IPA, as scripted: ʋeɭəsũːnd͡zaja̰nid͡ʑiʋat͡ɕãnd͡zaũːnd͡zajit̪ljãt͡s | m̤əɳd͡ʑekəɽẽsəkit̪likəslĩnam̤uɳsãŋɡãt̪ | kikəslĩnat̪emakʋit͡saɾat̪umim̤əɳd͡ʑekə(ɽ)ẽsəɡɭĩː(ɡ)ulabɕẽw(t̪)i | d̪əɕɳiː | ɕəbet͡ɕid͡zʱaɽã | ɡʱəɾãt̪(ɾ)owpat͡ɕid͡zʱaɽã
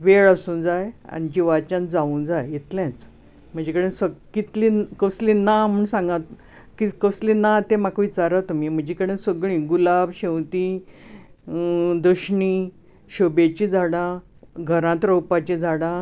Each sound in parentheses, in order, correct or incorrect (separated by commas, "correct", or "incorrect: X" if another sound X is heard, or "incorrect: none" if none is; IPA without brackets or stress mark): correct, correct, correct, correct